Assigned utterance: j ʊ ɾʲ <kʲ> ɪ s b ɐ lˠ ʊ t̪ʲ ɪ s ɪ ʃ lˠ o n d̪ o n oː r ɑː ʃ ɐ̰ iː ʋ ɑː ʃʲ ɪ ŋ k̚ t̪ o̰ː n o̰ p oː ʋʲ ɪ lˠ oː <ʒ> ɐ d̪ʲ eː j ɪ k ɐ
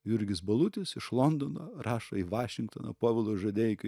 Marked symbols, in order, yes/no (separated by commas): no, yes